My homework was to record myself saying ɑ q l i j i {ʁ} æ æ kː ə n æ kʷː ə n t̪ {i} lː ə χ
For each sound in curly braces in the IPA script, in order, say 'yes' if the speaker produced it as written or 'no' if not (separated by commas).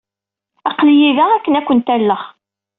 no, no